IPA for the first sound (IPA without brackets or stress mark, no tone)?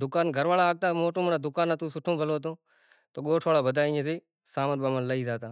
d̪